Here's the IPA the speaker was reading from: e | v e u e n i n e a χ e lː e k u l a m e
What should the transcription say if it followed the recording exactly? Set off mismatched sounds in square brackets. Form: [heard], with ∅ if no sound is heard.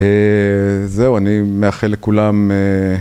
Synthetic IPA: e | [z] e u [a] n i [m] e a χ e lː e k u l a m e